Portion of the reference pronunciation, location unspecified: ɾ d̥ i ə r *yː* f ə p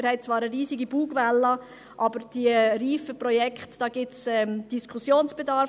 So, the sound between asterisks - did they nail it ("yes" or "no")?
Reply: no